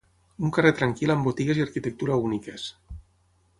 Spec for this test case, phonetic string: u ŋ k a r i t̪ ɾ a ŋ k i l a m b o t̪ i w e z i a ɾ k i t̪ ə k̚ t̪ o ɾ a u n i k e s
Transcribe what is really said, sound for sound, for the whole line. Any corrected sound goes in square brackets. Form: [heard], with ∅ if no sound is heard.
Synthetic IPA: u ŋ k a r [e] t̪ ɾ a ŋ k i l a m b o t̪ i [ɣ] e z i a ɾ k i t̪ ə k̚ t̪ [u] ɾ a u n i k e s